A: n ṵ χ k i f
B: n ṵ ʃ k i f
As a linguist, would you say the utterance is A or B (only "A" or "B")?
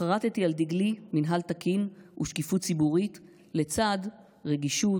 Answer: B